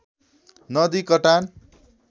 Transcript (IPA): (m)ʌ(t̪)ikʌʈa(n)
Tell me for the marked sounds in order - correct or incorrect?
incorrect: n, incorrect: d̪, correct

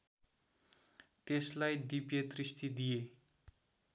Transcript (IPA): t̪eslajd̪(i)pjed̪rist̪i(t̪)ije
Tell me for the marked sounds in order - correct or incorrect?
correct, incorrect: d̪

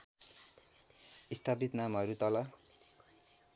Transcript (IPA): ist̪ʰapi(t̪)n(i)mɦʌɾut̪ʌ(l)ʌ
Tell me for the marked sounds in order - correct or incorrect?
correct, incorrect: a, correct

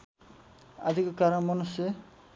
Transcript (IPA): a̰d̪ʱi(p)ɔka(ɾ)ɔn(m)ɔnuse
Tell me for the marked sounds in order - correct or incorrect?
incorrect: k, correct, correct

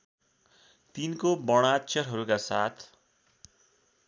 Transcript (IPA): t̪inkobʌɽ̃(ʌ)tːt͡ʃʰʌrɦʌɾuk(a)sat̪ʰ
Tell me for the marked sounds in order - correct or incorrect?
incorrect: a, correct

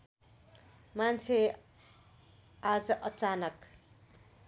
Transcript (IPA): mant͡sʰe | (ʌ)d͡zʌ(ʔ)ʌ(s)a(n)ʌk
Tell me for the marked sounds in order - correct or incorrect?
incorrect: a, correct, incorrect: t͡s, correct

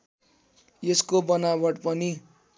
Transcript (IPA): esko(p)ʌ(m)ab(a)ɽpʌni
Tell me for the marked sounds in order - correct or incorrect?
incorrect: b, incorrect: n, incorrect: ʌ

